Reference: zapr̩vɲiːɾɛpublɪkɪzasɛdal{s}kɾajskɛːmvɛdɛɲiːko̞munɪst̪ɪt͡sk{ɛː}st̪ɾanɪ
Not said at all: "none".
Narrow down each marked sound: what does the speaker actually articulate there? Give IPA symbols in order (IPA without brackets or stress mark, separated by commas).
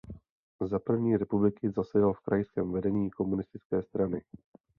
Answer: f, ɛː